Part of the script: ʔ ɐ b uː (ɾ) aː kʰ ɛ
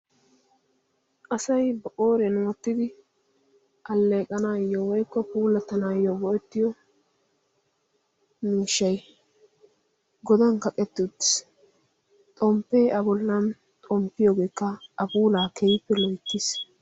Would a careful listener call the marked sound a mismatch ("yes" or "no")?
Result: yes